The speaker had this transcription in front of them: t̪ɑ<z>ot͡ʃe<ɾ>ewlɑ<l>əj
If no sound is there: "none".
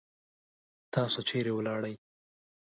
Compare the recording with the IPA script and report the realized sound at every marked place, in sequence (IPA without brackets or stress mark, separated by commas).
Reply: s, ɾ, ɽ